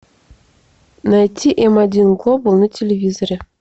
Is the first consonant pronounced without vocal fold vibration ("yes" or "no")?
no